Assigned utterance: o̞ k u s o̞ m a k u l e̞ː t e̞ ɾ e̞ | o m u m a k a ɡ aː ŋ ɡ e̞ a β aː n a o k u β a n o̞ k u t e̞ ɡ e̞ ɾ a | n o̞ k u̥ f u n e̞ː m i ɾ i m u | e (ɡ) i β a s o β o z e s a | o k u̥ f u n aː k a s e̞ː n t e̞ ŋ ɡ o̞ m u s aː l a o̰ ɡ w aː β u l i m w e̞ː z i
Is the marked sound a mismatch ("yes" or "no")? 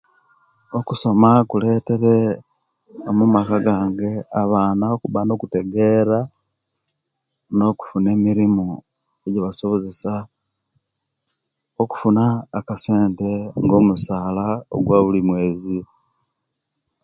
yes